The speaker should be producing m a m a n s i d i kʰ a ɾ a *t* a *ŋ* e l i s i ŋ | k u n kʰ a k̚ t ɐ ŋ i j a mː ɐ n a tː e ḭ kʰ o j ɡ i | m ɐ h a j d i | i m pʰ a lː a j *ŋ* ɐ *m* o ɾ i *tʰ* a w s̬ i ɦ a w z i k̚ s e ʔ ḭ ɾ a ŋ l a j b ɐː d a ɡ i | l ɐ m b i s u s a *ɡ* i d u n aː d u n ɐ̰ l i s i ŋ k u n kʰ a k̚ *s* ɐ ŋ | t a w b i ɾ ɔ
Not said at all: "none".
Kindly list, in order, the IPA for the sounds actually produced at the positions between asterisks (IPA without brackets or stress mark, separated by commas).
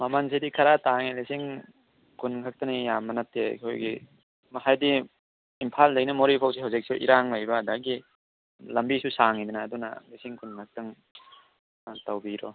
t, ŋ, n, m, pʰ, ŋ, t